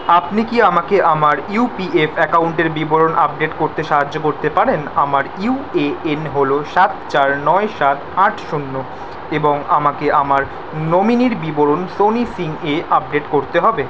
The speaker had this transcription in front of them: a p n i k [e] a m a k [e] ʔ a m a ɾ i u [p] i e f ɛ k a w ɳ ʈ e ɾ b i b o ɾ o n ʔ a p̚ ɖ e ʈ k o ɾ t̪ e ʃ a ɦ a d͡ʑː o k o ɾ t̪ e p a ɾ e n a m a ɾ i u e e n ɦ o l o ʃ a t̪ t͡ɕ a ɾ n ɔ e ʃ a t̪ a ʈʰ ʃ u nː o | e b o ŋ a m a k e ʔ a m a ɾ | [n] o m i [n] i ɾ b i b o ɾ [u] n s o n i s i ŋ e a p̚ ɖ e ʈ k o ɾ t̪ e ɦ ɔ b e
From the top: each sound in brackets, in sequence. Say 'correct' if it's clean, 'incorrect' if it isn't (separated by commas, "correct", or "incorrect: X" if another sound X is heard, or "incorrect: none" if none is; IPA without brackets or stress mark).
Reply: incorrect: i, correct, correct, correct, correct, incorrect: o